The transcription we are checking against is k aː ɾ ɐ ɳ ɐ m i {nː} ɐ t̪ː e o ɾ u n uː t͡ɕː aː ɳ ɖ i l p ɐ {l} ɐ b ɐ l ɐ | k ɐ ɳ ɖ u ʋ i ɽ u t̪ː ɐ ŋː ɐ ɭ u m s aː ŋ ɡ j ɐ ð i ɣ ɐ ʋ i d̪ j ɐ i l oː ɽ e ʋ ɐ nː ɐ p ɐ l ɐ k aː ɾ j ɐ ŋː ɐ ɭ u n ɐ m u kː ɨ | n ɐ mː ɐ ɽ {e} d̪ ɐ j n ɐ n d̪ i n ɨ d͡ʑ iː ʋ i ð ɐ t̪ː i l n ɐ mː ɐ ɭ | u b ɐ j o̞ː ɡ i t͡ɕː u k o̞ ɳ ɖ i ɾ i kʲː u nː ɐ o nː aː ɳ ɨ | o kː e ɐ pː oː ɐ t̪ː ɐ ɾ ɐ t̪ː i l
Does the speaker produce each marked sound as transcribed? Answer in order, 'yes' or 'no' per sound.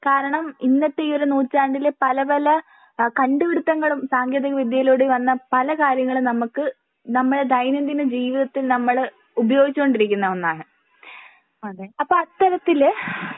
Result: yes, yes, yes

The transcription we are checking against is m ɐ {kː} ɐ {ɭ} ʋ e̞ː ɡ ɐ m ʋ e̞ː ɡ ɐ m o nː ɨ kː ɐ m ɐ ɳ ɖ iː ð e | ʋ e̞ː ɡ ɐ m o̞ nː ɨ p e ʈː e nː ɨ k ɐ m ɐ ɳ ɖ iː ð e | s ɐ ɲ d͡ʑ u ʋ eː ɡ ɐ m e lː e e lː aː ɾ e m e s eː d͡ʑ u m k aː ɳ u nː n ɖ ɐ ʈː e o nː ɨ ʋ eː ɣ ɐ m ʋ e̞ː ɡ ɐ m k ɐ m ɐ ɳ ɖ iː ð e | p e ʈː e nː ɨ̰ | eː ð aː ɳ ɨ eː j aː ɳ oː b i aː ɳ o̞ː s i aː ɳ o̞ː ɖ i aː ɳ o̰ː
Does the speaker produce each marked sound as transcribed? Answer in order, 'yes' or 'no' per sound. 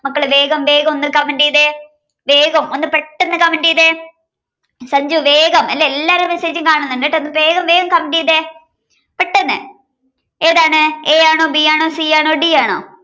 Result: yes, yes

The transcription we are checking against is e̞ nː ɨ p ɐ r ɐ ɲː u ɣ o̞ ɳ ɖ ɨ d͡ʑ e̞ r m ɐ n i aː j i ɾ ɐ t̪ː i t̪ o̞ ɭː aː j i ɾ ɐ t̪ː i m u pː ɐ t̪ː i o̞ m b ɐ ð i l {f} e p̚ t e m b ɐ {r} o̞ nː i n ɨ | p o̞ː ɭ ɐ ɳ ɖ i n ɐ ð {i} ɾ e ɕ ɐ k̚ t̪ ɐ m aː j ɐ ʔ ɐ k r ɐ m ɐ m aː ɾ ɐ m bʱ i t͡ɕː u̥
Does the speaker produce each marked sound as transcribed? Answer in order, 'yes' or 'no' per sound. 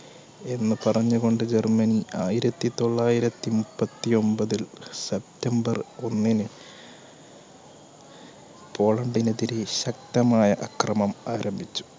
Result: no, yes, yes

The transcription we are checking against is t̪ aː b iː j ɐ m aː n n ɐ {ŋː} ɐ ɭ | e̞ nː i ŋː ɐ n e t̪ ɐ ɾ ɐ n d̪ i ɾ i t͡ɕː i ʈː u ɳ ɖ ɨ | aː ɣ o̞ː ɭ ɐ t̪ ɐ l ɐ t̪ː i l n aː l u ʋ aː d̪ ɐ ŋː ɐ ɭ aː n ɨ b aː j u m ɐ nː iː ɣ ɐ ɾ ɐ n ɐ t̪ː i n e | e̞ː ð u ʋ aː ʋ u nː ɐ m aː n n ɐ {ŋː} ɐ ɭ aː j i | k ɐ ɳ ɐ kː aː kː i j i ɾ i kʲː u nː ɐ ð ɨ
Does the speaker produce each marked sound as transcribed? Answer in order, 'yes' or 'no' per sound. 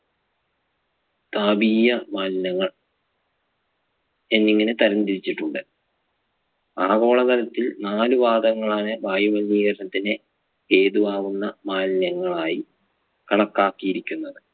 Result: yes, yes

